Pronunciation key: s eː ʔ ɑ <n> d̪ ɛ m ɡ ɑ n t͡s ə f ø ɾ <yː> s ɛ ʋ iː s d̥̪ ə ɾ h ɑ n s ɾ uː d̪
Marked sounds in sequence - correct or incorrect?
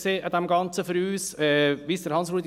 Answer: incorrect: none, correct

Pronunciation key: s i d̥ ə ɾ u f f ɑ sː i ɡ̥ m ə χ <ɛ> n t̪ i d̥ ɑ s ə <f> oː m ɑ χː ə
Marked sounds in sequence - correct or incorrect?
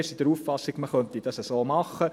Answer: incorrect: œ, incorrect: s

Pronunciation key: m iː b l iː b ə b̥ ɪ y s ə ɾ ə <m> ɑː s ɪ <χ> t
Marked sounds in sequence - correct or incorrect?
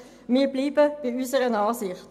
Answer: incorrect: n, correct

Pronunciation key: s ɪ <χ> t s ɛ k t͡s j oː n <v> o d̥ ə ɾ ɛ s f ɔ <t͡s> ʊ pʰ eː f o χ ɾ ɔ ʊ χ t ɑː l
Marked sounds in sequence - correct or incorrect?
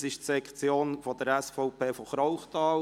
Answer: incorrect: ʃ, incorrect: f, incorrect: none

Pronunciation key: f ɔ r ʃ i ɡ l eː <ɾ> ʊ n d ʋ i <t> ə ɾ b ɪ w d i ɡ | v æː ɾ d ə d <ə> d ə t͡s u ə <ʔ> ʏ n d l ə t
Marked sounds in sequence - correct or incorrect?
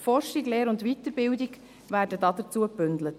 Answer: correct, correct, incorrect: ɑ, incorrect: p

